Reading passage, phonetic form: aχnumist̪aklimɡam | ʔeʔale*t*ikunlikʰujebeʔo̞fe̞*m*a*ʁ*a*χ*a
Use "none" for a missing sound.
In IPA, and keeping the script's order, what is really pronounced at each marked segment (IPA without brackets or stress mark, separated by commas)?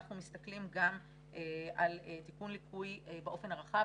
t, n, ʁ, χ